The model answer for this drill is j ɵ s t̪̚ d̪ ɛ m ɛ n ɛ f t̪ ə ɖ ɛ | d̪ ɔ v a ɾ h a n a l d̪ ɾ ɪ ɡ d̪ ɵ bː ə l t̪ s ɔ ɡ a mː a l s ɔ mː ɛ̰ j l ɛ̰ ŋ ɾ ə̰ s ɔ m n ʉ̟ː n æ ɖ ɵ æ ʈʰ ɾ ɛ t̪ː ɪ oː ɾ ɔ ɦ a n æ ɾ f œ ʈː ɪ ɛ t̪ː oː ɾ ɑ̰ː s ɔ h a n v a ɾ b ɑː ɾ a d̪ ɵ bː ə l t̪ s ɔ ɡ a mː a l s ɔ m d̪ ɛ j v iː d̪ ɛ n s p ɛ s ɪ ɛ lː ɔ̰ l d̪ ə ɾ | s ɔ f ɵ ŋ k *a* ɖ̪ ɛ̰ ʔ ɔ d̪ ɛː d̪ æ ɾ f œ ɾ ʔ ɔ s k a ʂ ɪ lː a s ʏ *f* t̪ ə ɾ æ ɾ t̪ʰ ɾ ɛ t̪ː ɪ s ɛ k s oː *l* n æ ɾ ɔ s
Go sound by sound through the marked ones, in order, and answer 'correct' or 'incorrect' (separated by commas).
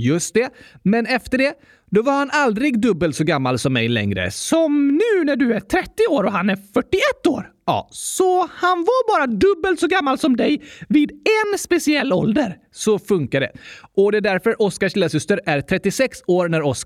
correct, incorrect, incorrect